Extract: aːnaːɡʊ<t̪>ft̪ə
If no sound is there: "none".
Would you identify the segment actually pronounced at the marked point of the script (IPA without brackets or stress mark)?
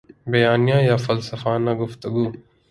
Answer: none